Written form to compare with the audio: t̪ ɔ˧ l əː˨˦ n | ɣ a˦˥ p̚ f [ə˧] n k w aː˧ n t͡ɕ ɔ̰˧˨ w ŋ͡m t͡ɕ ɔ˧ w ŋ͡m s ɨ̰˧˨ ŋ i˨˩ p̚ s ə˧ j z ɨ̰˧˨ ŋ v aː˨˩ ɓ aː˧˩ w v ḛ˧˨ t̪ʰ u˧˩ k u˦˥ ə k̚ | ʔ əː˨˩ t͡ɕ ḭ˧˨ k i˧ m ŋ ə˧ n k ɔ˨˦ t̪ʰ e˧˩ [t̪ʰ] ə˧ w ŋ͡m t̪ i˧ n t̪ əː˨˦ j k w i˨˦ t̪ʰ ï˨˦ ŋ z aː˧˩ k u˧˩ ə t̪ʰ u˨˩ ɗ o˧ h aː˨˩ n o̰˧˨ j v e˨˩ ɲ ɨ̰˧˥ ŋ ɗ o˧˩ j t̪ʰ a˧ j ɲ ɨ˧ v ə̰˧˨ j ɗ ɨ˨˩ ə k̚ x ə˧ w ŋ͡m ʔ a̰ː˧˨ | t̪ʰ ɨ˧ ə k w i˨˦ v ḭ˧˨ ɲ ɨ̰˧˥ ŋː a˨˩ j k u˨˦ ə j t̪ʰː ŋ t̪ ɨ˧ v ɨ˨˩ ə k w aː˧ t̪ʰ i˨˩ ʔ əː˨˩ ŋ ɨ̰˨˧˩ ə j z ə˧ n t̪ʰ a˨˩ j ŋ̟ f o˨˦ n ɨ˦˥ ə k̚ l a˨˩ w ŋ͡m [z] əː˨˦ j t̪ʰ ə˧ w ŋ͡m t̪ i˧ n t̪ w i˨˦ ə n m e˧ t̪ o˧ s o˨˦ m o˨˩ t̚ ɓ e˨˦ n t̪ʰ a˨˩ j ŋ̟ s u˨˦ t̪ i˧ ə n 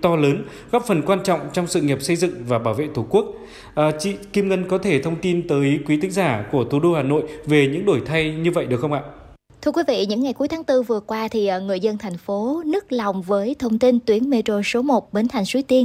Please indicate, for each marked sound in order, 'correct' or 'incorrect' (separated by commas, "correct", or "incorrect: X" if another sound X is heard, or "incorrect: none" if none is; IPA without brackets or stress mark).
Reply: incorrect: ə˨˩, correct, incorrect: v